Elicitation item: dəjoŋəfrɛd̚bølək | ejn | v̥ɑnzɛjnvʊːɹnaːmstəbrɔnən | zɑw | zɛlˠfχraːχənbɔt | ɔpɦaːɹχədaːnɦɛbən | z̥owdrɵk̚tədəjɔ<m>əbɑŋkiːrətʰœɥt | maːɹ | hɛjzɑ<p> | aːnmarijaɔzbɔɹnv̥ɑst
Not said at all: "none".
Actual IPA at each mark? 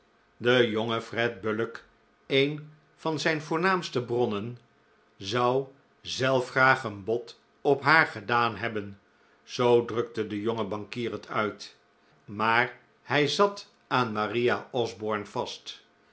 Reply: ŋ, t

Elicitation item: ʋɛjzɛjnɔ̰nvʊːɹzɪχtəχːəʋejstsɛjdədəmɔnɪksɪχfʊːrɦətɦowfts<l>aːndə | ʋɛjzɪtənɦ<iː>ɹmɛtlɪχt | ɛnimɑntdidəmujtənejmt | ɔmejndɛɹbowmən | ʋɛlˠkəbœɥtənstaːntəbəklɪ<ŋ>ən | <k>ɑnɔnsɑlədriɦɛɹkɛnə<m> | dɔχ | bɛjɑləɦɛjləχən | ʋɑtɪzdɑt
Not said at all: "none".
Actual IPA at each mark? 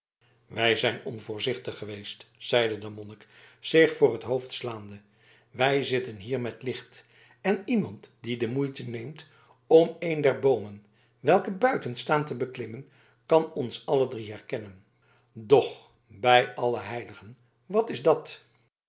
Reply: l, iː, m, k, n

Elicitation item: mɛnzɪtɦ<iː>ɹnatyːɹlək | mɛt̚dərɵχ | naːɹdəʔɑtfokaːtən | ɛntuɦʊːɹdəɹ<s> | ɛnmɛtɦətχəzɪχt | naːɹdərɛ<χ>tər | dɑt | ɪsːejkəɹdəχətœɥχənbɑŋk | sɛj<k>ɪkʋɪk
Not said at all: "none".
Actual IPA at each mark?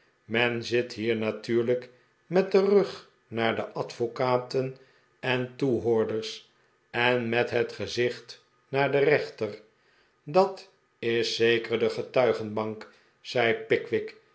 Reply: iː, s, χ, p

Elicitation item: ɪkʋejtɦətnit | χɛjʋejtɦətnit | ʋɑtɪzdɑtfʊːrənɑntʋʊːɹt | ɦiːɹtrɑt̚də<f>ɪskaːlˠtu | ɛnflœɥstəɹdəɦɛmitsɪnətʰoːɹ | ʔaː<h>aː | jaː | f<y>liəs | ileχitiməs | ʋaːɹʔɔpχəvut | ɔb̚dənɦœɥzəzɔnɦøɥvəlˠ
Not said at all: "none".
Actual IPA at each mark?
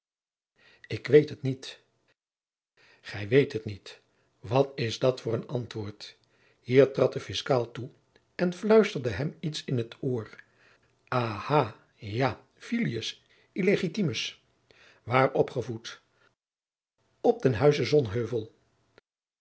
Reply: f, h, i

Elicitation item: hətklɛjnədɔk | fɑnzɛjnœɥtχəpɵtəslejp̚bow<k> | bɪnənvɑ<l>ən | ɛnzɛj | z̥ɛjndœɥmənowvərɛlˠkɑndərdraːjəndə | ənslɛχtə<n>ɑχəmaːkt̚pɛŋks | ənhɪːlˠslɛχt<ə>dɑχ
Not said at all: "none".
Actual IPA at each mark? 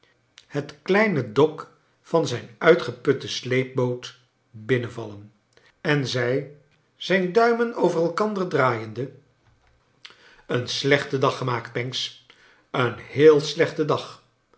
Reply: t, l, d, ə

